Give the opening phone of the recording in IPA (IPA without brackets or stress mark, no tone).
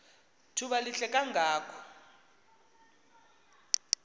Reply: tʰ